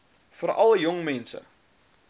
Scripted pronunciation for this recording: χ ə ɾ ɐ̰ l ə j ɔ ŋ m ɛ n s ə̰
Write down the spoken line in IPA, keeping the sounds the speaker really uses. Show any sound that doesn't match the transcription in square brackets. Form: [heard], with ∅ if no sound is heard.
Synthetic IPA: [f] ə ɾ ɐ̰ l ə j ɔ ŋ m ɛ n s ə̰